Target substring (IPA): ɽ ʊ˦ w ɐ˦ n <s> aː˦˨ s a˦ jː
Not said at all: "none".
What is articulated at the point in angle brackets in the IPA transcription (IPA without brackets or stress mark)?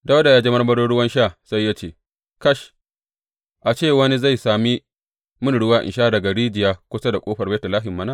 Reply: ʃ